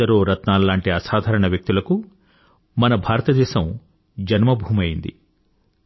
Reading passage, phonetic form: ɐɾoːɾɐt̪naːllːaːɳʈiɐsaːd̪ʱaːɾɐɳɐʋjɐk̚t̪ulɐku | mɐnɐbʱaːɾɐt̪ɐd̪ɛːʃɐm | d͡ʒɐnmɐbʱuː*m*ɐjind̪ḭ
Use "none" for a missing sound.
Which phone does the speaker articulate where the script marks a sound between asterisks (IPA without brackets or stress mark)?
m